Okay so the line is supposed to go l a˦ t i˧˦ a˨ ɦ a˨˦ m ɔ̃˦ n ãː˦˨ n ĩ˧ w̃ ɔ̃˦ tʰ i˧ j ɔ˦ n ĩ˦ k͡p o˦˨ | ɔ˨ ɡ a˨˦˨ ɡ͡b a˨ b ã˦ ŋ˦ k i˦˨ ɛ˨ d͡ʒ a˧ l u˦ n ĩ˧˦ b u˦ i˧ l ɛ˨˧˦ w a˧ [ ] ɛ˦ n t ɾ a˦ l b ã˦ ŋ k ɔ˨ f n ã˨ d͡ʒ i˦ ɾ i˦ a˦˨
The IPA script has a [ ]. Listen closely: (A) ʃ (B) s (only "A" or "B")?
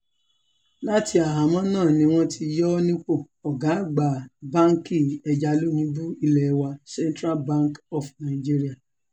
B